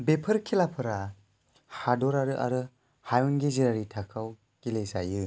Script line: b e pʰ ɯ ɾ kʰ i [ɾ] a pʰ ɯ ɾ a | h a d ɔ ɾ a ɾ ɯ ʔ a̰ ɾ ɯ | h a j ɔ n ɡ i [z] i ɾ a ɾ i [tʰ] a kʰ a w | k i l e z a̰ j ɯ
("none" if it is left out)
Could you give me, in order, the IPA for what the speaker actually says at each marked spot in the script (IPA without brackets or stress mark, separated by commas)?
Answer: l, z, tʰ